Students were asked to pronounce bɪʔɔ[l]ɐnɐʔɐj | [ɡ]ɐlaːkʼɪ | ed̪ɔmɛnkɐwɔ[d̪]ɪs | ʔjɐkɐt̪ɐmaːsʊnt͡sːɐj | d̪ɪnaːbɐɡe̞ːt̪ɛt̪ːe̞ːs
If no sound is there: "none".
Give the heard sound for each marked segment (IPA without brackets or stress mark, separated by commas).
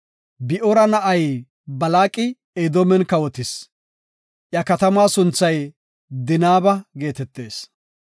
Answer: ɾ, b, t̪